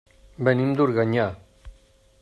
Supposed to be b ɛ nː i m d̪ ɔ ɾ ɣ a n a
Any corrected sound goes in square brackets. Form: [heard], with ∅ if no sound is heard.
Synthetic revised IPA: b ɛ [n] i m d̪ [u] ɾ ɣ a [ɲ] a